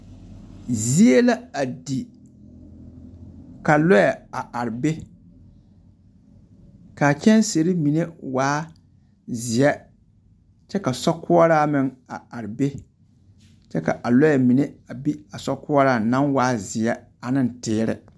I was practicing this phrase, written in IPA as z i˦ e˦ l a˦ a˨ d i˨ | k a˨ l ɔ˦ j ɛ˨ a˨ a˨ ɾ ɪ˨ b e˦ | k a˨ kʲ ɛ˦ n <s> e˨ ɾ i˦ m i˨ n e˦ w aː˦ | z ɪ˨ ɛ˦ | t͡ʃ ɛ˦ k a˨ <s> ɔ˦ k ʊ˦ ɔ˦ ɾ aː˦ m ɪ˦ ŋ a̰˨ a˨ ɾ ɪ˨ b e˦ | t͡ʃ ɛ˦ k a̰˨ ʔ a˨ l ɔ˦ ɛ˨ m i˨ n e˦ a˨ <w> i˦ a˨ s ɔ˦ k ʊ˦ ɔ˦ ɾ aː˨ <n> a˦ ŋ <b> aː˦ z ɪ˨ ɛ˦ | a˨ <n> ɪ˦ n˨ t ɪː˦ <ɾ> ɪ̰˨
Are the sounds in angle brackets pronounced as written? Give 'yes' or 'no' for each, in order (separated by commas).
yes, yes, no, yes, no, yes, yes